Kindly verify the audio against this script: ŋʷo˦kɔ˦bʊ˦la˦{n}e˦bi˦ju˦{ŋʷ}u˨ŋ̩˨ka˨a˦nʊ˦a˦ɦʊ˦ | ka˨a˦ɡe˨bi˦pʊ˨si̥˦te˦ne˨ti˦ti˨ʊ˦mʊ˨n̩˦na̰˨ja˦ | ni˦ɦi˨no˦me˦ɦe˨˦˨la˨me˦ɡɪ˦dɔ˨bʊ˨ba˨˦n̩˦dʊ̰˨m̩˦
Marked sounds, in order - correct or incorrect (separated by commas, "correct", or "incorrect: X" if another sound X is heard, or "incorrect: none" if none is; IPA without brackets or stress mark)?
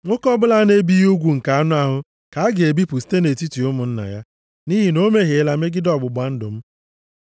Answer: correct, incorrect: ɡʷ